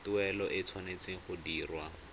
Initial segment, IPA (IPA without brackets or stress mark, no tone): t